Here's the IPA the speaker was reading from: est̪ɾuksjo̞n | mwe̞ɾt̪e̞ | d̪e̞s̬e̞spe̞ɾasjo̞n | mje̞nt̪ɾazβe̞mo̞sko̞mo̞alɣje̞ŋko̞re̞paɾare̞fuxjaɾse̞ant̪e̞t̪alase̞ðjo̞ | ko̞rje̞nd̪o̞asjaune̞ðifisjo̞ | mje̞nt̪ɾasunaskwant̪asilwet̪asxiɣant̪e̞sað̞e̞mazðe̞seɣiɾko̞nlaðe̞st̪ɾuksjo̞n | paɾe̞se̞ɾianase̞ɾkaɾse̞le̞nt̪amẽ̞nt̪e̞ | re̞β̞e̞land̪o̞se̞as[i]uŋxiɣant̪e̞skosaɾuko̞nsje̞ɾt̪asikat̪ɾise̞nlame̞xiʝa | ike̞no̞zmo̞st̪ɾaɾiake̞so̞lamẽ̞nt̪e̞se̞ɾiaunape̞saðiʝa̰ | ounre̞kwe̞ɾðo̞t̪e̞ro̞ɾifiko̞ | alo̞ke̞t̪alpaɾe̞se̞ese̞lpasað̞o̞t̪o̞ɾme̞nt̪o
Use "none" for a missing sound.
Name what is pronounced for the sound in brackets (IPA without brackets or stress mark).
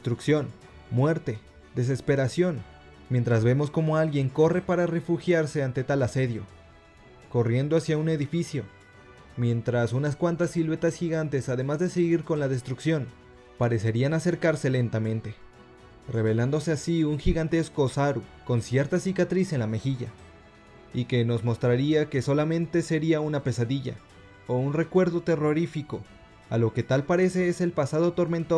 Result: i